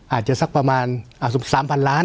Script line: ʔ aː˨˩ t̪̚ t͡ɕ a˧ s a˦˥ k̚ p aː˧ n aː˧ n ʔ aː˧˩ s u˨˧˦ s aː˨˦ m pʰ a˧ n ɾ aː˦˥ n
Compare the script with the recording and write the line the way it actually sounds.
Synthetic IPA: ʔ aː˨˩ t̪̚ t͡ɕ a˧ s a˦˥ k̚ p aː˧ m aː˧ n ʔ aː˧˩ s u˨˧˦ s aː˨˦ m pʰ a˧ n l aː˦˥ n